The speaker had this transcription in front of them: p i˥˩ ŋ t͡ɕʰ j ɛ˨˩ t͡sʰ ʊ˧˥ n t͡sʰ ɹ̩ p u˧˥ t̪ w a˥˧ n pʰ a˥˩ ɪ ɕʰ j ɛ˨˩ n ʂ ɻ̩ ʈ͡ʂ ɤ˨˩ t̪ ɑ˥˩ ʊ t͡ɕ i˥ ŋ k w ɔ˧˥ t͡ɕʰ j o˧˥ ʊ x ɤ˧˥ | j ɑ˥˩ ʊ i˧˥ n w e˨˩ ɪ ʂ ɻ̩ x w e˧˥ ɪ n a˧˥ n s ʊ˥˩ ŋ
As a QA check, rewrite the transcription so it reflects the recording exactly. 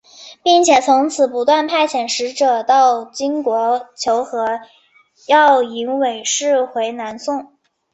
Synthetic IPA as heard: p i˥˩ ŋ t͡ɕʰ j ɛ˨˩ t͡sʰ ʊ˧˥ ŋ t͡sʰ ɹ̩ p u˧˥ t̪ w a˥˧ n pʰ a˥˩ ɪ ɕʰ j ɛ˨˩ n ʂ ɻ̩ ʈ͡ʂ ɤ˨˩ t̪ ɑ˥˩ ʊ t͡ɕ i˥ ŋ k w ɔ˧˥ t͡ɕʰ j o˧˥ ʊ x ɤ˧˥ | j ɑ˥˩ ʊ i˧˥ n w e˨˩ ɪ ʂ ɻ̩ x w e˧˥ ɪ n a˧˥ n s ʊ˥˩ ŋ

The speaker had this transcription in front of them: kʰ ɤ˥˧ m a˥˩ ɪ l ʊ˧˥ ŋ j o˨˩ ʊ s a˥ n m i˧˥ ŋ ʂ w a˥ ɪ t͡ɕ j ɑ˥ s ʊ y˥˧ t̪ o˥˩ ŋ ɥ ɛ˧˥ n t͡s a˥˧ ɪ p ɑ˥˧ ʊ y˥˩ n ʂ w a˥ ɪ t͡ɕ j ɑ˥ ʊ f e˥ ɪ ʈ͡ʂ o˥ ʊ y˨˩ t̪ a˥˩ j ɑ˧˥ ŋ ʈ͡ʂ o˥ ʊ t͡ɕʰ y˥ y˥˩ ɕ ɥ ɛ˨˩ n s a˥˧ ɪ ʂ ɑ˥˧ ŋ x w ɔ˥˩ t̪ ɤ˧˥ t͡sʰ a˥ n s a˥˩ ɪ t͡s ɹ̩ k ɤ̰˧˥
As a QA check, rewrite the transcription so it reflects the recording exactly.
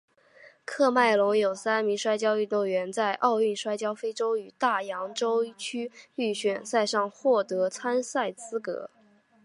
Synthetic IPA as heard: kʰ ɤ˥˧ m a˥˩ ɪ l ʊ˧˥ ŋ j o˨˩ ʊ s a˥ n m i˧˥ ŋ ʂ w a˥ ɪ t͡ɕ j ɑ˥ ʊ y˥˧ t̪ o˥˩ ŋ ɥ ɛ˧˥ n t͡s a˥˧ ɪ ʔ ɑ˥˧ ʊ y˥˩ n ʂ w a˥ ɪ t͡ɕ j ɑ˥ ʊ f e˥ ɪ ʈ͡ʂ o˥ ʊ y˨˩ t̪ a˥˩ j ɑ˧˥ ŋ ʈ͡ʂ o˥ ʊ t͡ɕʰ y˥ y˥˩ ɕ ɥ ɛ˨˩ n s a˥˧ ɪ ʂ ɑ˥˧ ŋ x w ɔ˥˩ t̪ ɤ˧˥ t͡sʰ a˥ n s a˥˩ ɪ t͡s ɹ̩ k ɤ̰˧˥

